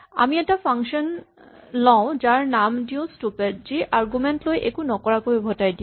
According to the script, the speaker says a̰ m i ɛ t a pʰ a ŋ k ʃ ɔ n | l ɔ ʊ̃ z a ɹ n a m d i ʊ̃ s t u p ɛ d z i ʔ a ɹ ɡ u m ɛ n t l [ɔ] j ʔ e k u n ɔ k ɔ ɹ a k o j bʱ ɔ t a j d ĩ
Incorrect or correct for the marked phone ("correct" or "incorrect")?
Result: incorrect